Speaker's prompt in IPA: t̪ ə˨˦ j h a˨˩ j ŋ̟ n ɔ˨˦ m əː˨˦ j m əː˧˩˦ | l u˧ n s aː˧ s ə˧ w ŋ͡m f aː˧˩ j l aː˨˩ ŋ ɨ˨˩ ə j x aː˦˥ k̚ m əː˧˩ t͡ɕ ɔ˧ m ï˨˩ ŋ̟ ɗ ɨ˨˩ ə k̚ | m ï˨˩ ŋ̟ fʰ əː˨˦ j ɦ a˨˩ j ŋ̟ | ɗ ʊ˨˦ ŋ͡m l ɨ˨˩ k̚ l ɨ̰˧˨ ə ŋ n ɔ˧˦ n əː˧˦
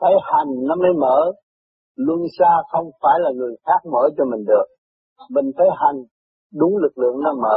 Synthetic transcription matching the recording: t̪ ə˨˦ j h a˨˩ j ŋ̟ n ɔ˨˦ m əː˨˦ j m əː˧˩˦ | l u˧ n s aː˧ x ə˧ w ŋ͡m f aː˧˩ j l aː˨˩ ŋ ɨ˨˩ ə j x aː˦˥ k̚ m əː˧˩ t͡ɕ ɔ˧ m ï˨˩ ŋ̟ ɗ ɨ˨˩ ə k̚ | m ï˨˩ ŋ̟ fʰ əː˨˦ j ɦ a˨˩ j ŋ̟ | ɗ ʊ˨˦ ŋ͡m l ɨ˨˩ k̚ l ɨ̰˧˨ ə ŋ n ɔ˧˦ m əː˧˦